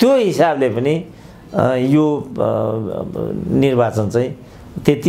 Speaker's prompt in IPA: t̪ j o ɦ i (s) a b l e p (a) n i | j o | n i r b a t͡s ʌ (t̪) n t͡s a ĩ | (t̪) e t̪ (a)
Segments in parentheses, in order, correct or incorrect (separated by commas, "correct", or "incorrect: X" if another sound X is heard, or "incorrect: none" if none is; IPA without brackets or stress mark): correct, incorrect: ʌ, incorrect: none, correct, incorrect: i